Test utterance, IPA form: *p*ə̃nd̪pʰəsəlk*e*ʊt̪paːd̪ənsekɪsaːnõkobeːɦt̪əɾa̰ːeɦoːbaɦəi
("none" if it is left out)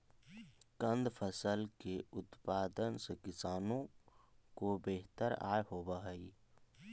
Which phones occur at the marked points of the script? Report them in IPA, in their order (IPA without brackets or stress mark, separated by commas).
k, e